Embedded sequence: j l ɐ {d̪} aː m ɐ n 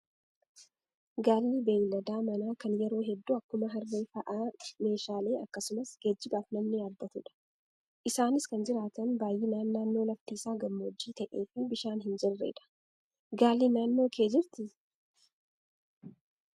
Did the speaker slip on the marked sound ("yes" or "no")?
no